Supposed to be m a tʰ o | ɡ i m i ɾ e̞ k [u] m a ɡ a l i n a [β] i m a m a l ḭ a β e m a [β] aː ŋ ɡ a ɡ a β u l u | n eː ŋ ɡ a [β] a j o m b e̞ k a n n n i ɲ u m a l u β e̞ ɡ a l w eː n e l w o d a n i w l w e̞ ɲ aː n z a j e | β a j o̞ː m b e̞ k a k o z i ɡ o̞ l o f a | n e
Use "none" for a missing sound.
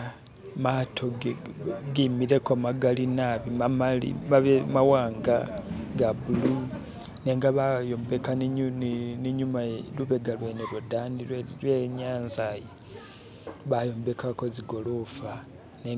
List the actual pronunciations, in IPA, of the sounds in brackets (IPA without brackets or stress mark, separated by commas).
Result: o, β, w, β